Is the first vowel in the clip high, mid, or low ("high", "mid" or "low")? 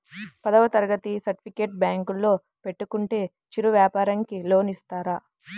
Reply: low